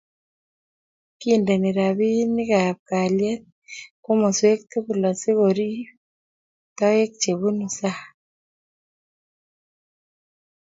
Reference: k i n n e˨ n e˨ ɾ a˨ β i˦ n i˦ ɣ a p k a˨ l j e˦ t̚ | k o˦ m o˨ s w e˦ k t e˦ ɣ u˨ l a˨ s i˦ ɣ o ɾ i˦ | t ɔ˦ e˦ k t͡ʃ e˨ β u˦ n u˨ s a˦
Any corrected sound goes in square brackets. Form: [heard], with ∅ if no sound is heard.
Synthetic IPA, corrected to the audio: k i n [d] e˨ n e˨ ɾ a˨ β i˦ n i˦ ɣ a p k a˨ l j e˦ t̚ | k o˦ m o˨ s w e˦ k t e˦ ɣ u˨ l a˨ s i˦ ɣ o ɾ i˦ | t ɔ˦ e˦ k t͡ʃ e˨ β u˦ n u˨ s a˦